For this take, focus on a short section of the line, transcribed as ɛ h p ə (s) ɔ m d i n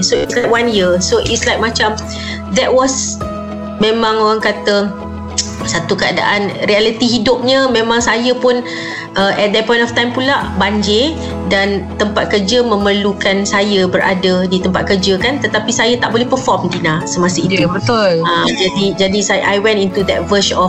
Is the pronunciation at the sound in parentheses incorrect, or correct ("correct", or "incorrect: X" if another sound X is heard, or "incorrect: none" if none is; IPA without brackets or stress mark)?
incorrect: f